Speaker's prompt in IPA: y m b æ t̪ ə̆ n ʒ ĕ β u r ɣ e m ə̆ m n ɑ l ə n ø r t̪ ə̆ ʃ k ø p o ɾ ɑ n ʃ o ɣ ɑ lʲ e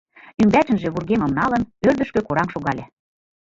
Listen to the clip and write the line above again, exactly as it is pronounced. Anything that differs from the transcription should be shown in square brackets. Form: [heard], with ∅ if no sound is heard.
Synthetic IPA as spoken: y m b æ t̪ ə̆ n ʒ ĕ β u r ɣ e m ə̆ m n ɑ l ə n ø r [d̪] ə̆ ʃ k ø [k] o ɾ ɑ [m] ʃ o ɣ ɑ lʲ e